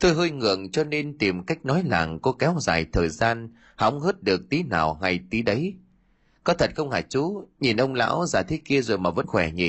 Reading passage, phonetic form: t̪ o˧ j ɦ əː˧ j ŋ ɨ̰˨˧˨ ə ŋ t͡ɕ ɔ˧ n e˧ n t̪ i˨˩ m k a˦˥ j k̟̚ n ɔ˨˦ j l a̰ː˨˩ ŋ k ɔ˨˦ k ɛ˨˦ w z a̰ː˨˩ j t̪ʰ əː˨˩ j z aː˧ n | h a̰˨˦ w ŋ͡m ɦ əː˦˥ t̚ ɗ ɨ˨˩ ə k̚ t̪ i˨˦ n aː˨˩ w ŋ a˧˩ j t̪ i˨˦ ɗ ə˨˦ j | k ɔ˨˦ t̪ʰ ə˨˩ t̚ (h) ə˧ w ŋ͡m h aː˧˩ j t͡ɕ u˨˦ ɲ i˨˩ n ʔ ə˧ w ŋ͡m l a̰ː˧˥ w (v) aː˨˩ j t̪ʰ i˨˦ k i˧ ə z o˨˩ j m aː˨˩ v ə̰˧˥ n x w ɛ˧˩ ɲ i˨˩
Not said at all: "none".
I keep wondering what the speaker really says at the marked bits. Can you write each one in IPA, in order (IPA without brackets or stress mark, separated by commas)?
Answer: x, z